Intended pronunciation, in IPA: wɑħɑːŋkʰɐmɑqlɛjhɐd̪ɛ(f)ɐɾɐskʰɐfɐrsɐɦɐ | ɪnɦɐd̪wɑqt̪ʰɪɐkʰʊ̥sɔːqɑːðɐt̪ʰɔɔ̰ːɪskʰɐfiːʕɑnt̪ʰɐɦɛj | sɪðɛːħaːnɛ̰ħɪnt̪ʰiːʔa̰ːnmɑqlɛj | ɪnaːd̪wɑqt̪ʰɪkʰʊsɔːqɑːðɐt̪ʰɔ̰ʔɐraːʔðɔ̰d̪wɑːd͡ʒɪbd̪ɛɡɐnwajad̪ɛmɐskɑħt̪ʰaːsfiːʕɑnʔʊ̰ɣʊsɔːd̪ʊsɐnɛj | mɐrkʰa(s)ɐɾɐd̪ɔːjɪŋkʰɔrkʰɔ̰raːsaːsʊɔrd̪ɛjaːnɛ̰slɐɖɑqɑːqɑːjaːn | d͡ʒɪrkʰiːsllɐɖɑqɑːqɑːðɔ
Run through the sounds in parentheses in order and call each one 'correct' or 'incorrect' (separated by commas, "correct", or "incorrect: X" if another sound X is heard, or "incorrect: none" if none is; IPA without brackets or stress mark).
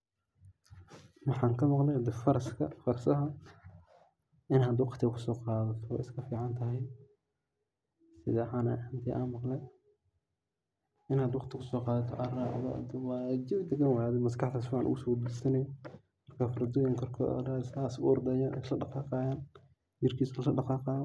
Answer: correct, incorrect: f